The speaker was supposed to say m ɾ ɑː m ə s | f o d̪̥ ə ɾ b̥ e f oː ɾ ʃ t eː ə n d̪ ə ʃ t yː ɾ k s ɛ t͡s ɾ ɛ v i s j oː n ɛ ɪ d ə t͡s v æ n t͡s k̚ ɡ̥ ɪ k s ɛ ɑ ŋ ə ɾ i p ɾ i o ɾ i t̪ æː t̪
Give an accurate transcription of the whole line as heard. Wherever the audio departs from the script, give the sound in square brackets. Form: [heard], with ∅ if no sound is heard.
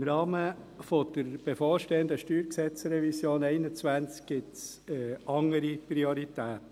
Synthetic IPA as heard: m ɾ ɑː m ə [∅] | f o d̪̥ ə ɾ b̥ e f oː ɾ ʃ t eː ə n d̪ ə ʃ t yː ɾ k s ɛ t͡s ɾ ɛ v i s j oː n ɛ ɪ [n] ə t͡s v æ n t͡s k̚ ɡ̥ ɪ [t] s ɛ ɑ ŋ ə ɾ i p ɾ i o ɾ i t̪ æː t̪